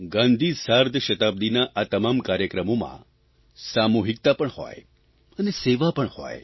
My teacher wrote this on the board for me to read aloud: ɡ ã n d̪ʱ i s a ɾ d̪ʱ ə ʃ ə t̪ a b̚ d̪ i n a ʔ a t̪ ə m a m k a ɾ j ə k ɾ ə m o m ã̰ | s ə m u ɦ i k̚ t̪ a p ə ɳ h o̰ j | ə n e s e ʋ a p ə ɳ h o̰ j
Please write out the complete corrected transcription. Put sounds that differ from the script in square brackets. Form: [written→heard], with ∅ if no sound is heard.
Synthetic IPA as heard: ɡ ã n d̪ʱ i s a ɾ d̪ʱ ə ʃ ə t̪ a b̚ d̪ i n a ʔ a t̪ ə m a m k a ɾ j ə k ɾ ə m o m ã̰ | s [ə→a] m u ɦ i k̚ t̪ a p ə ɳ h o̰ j | ə n e s e ʋ a p ə ɳ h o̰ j